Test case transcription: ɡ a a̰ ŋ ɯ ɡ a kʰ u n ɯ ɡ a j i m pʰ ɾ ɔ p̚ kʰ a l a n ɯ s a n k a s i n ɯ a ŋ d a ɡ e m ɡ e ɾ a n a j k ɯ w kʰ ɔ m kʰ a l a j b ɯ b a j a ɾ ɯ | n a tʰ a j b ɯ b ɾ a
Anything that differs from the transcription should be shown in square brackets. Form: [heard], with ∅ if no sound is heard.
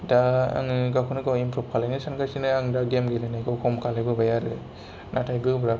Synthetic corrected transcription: [d] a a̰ ŋ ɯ ɡ a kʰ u n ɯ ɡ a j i m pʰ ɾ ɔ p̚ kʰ a l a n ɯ s a n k a s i n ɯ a ŋ d a ɡ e m ɡ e [l] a n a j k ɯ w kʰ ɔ m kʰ a l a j b ɯ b a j a ɾ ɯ | n a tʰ a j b ɯ b ɾ a

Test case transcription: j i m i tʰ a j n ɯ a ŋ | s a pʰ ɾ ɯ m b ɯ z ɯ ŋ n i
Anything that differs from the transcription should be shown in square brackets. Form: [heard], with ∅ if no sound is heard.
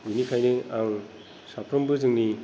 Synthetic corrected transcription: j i [n] i [kʰ] a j n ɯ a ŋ | s a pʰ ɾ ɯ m b ɯ z ɯ ŋ n i

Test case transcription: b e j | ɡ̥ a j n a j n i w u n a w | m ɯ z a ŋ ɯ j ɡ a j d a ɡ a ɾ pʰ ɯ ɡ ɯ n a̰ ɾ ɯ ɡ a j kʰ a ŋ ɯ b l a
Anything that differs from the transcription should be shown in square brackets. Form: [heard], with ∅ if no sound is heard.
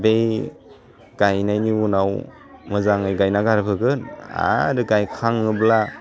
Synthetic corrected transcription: b e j | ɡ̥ a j n a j n i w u n a w | m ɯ z a ŋ ɯ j ɡ a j [n] a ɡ a ɾ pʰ ɯ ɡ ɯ n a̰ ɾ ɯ ɡ a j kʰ a ŋ ɯ b l a

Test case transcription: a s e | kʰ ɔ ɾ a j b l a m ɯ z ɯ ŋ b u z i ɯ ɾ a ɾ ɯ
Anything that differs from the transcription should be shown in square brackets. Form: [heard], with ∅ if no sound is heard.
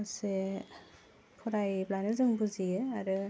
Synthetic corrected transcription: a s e | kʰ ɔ ɾ a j b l a [n] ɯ z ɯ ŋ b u z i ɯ [∅] a ɾ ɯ

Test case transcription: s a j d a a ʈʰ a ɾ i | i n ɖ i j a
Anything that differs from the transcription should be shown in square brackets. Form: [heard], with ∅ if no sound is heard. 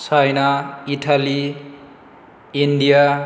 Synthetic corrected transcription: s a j [n] a [i] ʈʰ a [l] i | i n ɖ i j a

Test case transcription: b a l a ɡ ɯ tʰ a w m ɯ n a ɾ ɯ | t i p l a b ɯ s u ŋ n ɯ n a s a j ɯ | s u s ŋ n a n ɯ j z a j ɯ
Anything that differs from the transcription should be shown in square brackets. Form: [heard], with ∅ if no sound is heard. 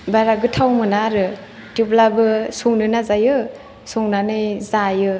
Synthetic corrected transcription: b a [ɾ] a ɡ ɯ tʰ a w m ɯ n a ɾ ɯ | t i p l a b ɯ s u ŋ n ɯ n a [z] a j ɯ | s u [∅] ŋ n a n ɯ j z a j ɯ

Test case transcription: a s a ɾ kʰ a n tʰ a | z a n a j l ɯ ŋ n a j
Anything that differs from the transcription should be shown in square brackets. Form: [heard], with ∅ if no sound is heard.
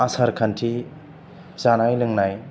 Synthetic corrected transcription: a s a ɾ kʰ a n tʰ [i] | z a n a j l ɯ ŋ n a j

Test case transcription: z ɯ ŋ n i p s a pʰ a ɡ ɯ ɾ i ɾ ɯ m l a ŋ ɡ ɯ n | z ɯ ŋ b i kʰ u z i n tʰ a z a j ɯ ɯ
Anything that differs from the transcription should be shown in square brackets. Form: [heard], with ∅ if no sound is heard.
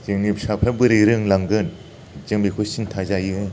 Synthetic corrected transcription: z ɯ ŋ n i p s a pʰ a [b] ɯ ɾ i ɾ ɯ [ŋ] l a ŋ ɡ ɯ n | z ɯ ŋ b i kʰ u [s] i n tʰ a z a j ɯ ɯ

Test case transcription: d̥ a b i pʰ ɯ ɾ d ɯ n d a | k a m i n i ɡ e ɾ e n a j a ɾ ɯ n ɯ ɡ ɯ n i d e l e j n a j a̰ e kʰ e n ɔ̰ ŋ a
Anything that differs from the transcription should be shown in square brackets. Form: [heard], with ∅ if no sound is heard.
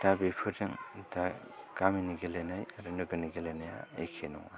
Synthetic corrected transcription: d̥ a b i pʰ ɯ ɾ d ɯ [ŋ] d a | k a m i n i ɡ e [l] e n a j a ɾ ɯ n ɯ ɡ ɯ n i [ɡ] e l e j n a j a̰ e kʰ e n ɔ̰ ŋ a

